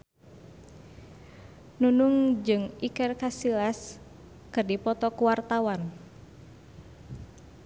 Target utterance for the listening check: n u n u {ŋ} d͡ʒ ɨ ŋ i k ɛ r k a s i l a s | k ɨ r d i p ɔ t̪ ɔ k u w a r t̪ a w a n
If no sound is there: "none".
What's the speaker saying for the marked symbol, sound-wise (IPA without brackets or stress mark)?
ŋ